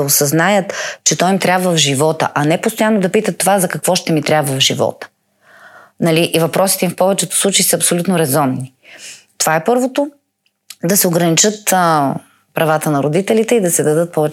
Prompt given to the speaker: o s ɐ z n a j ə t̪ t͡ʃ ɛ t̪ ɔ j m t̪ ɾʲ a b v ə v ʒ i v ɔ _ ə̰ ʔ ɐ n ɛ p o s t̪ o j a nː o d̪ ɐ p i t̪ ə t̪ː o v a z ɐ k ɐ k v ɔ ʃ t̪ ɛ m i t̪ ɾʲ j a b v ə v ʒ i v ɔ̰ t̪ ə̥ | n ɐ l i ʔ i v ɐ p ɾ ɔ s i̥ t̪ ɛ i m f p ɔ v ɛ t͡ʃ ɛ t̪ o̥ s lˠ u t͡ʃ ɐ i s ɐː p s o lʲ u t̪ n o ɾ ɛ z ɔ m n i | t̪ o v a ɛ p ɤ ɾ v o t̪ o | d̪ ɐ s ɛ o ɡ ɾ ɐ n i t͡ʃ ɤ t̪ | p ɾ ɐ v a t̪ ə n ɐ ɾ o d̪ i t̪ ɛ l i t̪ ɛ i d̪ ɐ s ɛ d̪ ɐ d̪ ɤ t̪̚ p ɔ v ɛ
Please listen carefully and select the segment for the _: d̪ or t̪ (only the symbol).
t̪